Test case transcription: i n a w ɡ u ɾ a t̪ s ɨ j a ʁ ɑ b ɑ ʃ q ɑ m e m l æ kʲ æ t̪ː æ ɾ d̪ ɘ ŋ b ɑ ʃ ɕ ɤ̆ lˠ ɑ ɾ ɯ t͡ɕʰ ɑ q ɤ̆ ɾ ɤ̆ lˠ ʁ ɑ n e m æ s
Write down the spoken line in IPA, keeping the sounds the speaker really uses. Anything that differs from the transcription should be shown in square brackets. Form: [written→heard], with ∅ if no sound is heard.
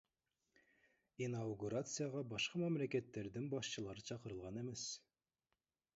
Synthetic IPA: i n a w ɡ u ɾ a t̪ s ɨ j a ʁ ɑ b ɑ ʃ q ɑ m [e→æ] m l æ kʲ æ t̪ː æ ɾ d̪ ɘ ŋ b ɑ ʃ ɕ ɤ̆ lˠ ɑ ɾ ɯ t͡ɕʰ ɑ q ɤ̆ ɾ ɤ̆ lˠ ʁ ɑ n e m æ s